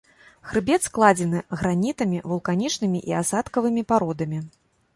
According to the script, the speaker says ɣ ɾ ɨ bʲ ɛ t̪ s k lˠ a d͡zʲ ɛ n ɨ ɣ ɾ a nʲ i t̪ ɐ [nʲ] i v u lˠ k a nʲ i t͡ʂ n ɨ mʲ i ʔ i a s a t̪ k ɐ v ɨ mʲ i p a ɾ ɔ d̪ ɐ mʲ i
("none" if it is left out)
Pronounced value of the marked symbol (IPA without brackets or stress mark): mʲ